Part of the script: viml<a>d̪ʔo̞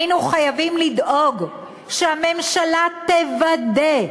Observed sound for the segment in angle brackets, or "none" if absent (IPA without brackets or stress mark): i